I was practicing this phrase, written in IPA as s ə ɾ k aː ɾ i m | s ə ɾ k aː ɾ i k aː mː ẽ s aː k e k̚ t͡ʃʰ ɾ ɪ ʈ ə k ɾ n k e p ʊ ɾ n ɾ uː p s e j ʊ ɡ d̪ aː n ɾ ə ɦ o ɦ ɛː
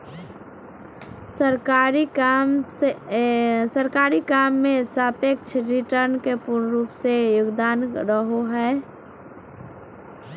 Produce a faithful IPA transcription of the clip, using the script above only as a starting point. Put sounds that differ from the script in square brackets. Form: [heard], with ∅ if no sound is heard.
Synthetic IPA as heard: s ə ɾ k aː ɾ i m | s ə ɾ k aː ɾ i k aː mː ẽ s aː [p] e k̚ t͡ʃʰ ɾ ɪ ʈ ə [∅] ɾ n k e p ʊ ɾ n ɾ uː p s e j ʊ ɡ d̪ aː n ɾ ə ɦ o ɦ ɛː